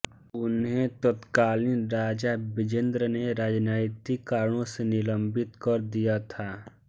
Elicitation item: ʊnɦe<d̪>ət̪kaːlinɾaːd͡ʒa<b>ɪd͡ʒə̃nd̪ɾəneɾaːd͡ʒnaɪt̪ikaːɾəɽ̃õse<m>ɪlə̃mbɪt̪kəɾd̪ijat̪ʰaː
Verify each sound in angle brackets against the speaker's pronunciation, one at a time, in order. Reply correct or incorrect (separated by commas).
incorrect, correct, incorrect